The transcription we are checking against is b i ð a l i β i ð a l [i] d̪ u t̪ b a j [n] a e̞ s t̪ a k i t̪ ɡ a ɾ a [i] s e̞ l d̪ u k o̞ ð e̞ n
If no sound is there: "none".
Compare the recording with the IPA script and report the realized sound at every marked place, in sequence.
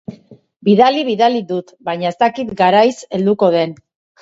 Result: i, ɲ, j

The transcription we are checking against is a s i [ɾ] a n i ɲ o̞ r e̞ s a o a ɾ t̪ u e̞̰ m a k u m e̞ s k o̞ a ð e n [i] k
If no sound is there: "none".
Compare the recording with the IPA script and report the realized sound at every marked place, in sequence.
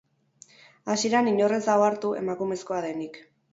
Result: ɾ, i

